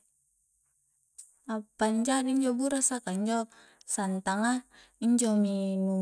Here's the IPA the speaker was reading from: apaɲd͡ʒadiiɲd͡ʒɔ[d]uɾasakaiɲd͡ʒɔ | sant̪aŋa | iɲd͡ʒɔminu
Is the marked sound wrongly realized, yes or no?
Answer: yes